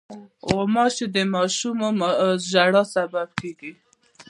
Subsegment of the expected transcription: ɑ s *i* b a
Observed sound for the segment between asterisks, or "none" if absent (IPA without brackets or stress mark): a